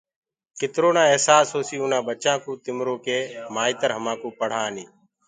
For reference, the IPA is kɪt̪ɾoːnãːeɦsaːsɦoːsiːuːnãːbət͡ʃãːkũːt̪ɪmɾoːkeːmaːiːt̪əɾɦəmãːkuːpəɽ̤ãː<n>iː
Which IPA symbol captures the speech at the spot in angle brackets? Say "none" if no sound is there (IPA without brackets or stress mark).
n